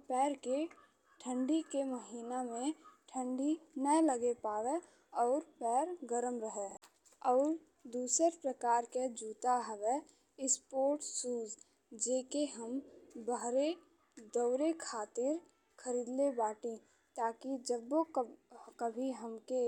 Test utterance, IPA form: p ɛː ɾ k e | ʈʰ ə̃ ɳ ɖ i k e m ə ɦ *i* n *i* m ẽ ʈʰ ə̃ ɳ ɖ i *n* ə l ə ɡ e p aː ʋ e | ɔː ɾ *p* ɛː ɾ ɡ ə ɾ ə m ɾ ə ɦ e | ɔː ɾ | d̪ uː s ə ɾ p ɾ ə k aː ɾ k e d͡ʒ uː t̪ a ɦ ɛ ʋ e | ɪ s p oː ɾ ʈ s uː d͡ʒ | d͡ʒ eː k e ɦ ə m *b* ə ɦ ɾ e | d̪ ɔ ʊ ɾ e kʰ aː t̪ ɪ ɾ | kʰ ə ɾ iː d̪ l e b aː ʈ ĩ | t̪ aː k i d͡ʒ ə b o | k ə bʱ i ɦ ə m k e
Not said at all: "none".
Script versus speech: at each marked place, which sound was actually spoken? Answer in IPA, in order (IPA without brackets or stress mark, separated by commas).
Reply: iː, a, n, p, b